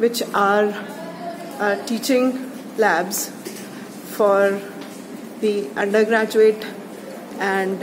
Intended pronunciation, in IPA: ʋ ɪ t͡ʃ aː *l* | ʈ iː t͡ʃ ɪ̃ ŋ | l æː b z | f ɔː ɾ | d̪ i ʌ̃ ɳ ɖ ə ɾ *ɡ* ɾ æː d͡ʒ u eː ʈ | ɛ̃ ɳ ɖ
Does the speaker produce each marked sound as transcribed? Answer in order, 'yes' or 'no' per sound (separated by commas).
no, yes